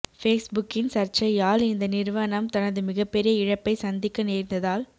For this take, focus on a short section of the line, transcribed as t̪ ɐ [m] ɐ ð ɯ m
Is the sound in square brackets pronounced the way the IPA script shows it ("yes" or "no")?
no